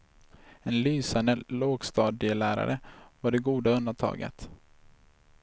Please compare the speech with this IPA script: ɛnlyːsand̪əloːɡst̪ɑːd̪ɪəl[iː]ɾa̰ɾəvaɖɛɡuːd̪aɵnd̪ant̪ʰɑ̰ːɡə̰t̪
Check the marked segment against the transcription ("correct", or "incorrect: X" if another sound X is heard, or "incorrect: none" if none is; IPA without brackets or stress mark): incorrect: æː